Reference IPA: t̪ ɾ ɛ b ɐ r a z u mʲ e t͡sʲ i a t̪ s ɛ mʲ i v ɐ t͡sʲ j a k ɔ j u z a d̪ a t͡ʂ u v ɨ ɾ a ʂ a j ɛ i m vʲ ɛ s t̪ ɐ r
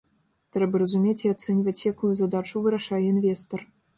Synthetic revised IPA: t̪ ɾ ɛ b ɐ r ɐ z u mʲ e t͡sʲ i a t̪ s ɛ nʲ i v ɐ t͡sʲ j a k u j u z a d̪ a t͡ʂ u v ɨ ɾ a ʂ a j ɛ i n vʲ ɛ s t̪ ɐ r